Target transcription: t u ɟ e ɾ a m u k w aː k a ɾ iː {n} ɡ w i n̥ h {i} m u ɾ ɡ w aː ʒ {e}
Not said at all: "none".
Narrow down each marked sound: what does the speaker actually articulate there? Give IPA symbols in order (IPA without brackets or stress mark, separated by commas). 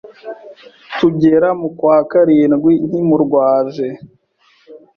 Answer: n, i, e